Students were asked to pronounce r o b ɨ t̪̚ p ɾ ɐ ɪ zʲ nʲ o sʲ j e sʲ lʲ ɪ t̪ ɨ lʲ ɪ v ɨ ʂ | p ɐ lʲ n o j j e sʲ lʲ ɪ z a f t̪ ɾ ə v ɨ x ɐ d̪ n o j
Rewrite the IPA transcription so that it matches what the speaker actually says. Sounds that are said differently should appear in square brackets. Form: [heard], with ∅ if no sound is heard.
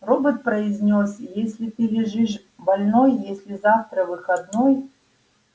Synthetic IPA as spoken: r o b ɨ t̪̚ p ɾ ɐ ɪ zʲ nʲ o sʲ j e sʲ lʲ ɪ t̪ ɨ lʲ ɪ [ʐ] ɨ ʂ | [b] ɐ lʲ n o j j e sʲ lʲ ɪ z a f t̪ ɾ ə v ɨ x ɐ d̪ n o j